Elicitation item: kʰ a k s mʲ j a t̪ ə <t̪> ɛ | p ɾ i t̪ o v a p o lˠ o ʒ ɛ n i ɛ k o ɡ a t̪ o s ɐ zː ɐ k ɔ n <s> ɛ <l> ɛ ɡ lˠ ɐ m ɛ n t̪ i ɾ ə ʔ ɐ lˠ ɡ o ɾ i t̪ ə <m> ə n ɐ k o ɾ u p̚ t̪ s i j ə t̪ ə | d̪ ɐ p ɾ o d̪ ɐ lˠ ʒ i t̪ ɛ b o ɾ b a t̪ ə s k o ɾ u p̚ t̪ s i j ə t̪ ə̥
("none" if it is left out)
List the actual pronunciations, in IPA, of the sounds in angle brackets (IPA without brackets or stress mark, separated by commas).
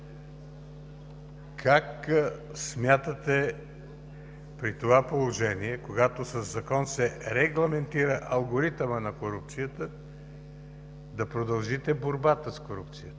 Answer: t̪, s, ɾ, m